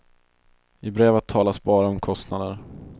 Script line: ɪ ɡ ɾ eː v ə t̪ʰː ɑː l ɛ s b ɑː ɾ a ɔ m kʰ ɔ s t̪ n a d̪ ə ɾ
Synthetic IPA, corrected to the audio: ɪ b ɾ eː v ə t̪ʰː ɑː l a s b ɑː ɾ a ɔ m kʰ ɔ s t̪ n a d̪ ə ɾ